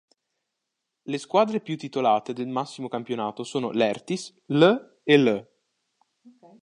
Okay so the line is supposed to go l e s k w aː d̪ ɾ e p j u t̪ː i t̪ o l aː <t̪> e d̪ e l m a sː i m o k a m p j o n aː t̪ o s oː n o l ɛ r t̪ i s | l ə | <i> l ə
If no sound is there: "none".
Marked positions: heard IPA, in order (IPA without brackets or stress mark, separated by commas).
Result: t̪, e